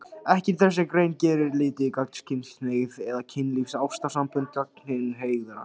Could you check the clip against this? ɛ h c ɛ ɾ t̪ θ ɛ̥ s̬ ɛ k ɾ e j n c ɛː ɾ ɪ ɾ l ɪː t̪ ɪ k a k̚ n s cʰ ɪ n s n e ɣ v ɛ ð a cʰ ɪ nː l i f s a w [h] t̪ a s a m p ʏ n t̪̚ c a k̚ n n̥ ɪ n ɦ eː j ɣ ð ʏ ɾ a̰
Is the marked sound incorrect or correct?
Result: incorrect